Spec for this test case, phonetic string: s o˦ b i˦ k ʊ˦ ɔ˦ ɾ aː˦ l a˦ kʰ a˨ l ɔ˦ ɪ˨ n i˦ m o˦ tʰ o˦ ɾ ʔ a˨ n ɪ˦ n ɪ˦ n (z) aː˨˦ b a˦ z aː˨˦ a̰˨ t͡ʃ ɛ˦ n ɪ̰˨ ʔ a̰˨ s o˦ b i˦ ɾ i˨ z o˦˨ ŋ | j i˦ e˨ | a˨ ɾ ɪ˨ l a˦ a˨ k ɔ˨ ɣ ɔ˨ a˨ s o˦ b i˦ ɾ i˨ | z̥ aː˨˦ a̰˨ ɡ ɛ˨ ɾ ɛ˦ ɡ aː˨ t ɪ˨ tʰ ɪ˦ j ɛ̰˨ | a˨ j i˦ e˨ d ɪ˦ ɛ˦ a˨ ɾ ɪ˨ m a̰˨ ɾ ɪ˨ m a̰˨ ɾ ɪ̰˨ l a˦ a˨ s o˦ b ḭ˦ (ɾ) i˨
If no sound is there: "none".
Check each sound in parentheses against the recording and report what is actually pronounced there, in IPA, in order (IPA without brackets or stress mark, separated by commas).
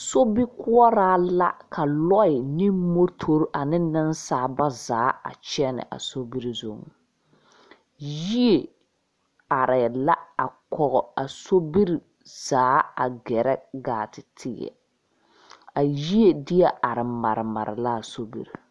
s, ɾ